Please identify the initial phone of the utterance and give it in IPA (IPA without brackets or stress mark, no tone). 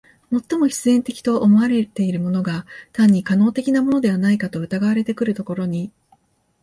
m